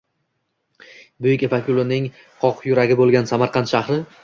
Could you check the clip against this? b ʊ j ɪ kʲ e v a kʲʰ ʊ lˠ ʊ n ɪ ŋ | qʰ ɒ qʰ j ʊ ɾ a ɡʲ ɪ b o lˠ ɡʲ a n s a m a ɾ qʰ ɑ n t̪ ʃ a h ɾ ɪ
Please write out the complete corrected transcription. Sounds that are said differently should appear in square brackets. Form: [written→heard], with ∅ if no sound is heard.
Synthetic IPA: b ʊ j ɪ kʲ e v a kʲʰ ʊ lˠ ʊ n ɪ ŋ | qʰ ɒ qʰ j ʊ ɾ a ɡʲ ɪ b o lˠ ɡʲ a n s a m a ɾ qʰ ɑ n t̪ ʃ a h ɾ ɪ